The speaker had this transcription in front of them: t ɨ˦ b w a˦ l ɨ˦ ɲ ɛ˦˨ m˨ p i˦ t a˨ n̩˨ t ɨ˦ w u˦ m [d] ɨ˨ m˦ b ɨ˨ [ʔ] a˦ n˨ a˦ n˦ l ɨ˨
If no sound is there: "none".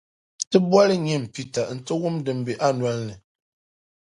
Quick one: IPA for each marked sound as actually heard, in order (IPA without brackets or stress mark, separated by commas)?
d, ʔ